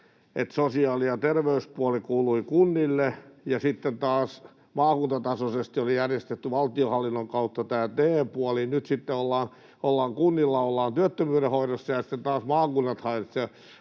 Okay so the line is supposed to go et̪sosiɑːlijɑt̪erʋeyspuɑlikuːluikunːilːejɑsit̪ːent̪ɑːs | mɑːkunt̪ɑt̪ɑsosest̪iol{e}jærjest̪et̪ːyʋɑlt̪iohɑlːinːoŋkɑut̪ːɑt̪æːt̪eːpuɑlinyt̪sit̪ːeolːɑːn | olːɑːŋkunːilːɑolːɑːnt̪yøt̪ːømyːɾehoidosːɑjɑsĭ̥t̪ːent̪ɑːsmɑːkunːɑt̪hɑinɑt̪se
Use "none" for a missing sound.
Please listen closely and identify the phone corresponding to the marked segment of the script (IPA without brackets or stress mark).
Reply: i